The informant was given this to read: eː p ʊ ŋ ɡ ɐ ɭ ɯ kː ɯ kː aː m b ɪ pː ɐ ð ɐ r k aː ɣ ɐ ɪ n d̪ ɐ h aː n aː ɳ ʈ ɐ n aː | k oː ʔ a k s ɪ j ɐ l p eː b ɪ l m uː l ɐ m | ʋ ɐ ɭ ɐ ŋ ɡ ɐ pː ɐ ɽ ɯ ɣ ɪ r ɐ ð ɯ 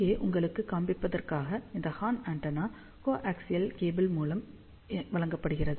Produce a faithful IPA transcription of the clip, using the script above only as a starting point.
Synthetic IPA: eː ʔ ʊ ŋ ɡ ɐ ɭ ɯ kː ɯ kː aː m b ɪ pː ɐ ð ɐ r k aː ɣ ɐ ɪ n d̪ ɐ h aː n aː ɳ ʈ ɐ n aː | k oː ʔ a k s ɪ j ɐ l k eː b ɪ l m uː l ɐ m | ʋ ɐ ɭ ɐ ŋ ɡ ɐ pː ɐ ɽ ɯ ɣ ɪ r ɐ ð ɯ